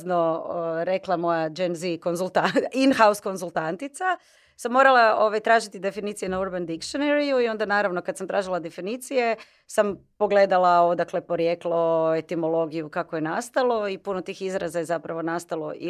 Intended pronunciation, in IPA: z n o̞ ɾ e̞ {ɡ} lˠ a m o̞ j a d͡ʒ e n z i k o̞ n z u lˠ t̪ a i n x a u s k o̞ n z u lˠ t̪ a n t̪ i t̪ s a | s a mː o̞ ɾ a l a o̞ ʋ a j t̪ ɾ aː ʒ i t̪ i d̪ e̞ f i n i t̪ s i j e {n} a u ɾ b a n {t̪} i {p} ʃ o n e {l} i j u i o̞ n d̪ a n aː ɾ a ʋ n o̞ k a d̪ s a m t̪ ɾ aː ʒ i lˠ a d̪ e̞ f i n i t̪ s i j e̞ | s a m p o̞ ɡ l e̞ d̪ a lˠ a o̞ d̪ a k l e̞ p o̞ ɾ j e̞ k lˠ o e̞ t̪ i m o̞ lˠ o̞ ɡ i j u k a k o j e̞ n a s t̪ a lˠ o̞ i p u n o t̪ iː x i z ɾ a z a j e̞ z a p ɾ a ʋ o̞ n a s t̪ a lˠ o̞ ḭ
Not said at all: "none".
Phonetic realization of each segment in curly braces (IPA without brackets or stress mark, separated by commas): k, n, d̪, k, ɾ